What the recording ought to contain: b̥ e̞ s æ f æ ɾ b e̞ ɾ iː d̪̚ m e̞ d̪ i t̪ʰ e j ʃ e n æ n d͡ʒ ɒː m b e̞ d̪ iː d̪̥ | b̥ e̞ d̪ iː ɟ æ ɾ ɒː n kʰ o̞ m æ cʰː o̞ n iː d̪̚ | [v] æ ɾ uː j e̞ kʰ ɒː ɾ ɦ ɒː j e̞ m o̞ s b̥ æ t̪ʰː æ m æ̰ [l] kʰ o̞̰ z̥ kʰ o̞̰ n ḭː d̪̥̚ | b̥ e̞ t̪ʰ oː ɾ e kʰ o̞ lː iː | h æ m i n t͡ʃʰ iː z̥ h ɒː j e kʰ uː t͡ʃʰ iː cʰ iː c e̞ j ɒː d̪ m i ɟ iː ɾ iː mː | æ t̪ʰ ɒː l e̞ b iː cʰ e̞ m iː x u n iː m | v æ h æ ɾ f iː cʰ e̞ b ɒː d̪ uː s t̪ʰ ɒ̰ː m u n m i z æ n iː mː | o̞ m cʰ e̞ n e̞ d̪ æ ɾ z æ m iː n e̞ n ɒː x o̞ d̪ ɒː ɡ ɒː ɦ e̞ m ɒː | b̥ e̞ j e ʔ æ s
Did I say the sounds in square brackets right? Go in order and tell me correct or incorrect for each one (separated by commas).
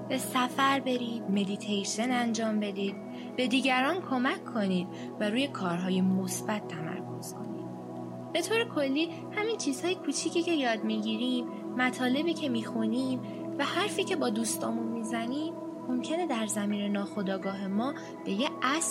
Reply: correct, incorrect